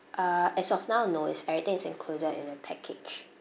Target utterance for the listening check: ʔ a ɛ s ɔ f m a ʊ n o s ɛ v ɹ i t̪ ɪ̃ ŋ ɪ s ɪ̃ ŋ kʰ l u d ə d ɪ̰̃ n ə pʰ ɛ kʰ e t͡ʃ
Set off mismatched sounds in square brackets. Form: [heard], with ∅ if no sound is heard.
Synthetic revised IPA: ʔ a ɛ s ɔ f [n] a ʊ n o s ɛ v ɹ i t̪ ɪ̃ ŋ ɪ s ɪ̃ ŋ kʰ l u d ə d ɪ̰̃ n ə pʰ ɛ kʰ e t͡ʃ